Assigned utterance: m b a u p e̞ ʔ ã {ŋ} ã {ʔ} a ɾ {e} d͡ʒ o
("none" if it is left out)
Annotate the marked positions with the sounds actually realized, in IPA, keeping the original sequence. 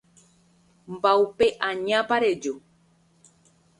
ɲ, p, e

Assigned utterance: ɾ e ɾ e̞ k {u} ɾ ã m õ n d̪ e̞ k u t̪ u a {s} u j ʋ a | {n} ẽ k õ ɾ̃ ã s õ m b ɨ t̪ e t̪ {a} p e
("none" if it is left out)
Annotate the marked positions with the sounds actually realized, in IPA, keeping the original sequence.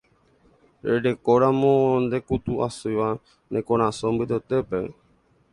o, s, n, e

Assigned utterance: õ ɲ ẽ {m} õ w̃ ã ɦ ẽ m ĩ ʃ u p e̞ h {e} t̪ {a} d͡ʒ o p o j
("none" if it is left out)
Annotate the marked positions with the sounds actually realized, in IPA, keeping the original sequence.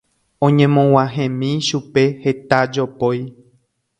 m, e, a

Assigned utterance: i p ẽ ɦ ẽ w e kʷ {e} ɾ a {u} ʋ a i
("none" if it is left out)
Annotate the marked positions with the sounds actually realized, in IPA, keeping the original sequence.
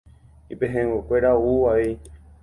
e, u

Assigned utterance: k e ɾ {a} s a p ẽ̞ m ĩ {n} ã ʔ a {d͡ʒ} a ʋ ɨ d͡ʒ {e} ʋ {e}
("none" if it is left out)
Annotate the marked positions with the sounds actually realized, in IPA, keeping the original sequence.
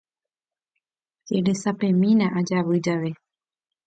e, n, d͡ʒ, a, e

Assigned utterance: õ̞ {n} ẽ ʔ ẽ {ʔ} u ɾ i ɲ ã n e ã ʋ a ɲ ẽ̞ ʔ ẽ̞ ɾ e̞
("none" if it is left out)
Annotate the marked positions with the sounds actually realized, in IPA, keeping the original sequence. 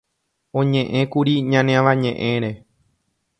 ɲ, k

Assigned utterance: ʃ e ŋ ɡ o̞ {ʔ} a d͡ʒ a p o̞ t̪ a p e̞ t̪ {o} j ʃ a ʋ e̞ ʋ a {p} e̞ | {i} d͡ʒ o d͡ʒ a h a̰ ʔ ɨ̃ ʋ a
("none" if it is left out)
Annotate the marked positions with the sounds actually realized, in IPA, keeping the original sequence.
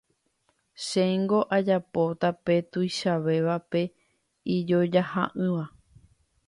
ʔ, u, p, i

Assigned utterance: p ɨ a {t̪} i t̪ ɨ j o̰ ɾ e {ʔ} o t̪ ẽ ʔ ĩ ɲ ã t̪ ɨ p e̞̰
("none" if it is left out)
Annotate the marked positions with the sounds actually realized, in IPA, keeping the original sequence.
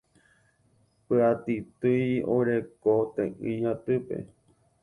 t̪, k

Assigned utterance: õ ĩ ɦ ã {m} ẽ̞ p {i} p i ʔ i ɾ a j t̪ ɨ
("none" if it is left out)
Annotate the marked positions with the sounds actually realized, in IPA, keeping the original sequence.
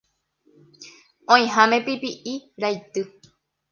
m, i

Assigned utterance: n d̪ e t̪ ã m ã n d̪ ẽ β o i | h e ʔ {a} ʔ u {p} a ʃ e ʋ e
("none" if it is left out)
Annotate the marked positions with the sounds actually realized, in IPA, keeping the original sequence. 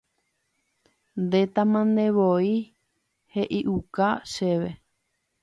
i, k

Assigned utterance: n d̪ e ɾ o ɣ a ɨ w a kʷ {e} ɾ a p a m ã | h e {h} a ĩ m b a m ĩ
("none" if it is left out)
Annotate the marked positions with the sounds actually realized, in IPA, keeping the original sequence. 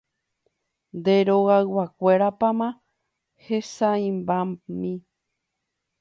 e, s

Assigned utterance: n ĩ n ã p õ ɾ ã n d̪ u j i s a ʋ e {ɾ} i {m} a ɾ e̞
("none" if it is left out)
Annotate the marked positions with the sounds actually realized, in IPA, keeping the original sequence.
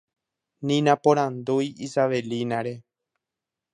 l, n

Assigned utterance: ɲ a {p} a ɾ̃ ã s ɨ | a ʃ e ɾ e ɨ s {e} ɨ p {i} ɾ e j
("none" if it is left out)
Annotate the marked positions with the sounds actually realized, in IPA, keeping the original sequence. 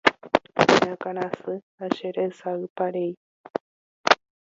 k, a, a

